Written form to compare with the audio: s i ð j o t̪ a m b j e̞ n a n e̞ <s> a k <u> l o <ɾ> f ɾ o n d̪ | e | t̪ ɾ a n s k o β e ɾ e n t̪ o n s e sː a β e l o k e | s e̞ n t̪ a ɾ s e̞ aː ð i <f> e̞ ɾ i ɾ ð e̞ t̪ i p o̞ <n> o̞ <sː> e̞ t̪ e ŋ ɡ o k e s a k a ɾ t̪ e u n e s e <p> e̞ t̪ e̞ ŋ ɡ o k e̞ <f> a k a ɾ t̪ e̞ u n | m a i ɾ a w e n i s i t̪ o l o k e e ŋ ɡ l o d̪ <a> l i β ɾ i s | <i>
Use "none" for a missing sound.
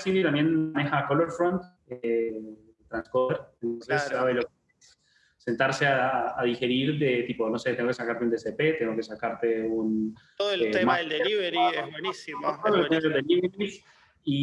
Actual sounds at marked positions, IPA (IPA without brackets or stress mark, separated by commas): x, o, ɾ, x, n, s, p, s, e, i